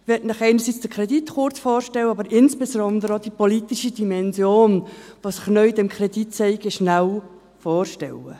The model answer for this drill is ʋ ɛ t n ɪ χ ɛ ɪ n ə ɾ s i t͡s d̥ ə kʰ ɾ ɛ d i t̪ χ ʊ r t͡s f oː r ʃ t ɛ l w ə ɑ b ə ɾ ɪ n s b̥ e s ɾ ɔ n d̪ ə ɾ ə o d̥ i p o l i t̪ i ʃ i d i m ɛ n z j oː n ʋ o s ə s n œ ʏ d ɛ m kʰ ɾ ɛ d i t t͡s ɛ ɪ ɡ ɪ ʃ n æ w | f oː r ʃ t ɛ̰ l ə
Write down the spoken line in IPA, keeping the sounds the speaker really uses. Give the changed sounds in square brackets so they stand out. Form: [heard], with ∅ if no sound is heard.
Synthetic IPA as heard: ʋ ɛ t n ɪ χ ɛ ɪ n ə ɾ s i t͡s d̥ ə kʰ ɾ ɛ d i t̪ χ ʊ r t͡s f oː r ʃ t ɛ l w ə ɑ b ə ɾ ɪ n s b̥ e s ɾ ɔ n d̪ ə ɾ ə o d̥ i p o l i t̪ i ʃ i d i m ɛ n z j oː n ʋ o s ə [χ] n œ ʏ d ɛ m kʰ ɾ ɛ d i t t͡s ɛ ɪ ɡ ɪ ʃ n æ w | f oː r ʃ t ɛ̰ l ə